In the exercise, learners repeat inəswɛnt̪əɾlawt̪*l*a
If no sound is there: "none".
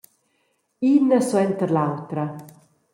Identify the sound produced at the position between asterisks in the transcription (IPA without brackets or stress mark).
ɾ